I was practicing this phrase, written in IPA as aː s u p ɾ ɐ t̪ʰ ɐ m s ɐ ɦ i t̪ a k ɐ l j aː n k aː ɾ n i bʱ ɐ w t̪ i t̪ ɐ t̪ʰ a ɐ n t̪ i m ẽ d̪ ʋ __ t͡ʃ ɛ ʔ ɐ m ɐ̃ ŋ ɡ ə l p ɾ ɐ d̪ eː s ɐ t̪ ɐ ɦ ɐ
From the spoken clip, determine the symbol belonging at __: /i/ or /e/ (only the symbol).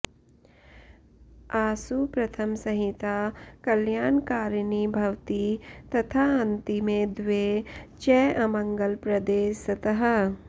e